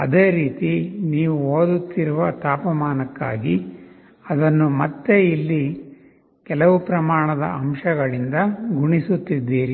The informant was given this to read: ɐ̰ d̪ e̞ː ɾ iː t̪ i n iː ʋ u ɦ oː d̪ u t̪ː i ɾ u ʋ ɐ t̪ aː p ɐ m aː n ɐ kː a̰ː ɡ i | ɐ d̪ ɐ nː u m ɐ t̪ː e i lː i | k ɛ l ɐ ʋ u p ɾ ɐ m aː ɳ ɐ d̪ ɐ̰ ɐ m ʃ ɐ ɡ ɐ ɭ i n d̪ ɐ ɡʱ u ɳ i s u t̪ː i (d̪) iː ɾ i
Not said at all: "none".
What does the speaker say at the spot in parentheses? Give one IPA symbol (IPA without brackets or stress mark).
d̪ː